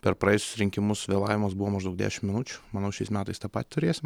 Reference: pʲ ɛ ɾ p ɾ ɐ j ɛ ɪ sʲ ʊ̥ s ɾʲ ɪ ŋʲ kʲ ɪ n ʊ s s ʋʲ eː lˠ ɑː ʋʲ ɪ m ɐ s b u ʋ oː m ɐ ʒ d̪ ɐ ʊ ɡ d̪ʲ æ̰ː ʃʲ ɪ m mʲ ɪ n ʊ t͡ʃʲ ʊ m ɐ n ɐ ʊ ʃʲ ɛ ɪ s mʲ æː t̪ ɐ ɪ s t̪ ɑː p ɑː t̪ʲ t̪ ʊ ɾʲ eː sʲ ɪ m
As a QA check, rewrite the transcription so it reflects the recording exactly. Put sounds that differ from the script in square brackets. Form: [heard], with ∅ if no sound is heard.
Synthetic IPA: pʲ ɛ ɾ p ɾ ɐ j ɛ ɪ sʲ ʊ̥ s ɾʲ ɪ ŋʲ kʲ ɪ [m] ʊ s s ʋʲ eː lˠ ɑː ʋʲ ɪ m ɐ s b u ʋ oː m ɐ ʒ d̪ ɐ ʊ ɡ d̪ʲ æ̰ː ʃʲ ɪ m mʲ ɪ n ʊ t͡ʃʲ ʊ m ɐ n ɐ ʊ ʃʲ ɛ ɪ s mʲ æː t̪ ɐ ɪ s t̪ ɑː p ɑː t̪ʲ t̪ ʊ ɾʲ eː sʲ ɪ m

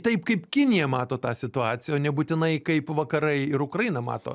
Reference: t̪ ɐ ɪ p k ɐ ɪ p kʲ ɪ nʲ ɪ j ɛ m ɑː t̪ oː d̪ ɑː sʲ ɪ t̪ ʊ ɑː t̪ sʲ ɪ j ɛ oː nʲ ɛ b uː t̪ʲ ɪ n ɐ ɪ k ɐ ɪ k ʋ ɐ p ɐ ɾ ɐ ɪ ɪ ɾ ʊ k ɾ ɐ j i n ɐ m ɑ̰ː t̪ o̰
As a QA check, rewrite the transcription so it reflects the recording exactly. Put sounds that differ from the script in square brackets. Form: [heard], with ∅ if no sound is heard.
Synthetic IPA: t̪ ɐ ɪ p k ɐ ɪ p kʲ ɪ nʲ ɪ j ɛ m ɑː t̪ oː [t̪] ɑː sʲ ɪ t̪ ʊ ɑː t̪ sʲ ɪ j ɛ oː nʲ ɛ b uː t̪ʲ ɪ n ɐ ɪ k ɐ ɪ [p] ʋ ɐ [k] ɐ ɾ ɐ ɪ ɪ ɾ ʊ k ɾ ɐ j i n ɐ m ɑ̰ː t̪ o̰

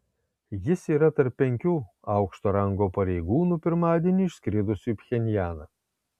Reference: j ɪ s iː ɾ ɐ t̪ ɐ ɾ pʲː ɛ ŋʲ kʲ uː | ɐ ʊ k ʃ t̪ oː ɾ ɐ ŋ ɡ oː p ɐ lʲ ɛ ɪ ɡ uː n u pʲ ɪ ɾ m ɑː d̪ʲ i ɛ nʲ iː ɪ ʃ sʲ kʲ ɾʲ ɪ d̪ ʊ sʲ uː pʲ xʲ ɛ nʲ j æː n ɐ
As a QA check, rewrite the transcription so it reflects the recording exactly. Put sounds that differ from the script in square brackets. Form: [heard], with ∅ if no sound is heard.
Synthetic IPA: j ɪ s iː ɾ ɐ t̪ ɐ ɾ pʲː ɛ ŋʲ kʲ uː | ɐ ʊ k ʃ t̪ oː ɾ ɐ ŋ ɡ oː p ɐ [ɾʲ] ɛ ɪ ɡ uː n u pʲ ɪ ɾ m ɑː d̪ʲ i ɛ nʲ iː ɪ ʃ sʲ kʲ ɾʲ ɪ d̪ ʊ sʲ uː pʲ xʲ ɛ nʲ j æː n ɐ

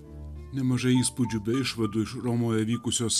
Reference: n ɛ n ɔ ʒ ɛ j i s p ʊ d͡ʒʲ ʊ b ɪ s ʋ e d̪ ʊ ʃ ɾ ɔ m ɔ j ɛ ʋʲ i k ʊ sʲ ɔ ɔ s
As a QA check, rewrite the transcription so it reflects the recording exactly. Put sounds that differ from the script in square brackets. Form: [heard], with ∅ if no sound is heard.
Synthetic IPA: n ɛ [m] ɔ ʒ ɛ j i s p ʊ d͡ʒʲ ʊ b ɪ [ʃ] ʋ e d̪ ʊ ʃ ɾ ɔ m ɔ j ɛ ʋʲ i k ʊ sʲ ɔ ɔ s

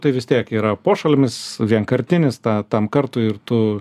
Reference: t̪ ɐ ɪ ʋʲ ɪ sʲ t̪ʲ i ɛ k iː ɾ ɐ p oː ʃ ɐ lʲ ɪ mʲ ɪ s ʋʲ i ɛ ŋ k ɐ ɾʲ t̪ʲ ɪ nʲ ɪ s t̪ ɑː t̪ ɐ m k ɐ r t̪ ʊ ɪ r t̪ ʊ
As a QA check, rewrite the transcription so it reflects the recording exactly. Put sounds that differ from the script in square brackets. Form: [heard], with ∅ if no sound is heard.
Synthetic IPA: t̪ ɐ ɪ ʋʲ ɪ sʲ t̪ʲ i ɛ k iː ɾ ɐ p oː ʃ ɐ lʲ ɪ mʲ ɪ s ʋʲ i ɛ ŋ k ɐ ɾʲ t̪ʲ ɪ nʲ ɪ s t̪ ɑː t̪ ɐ m k ɐ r t̪ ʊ ɪ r t̪ ʊ

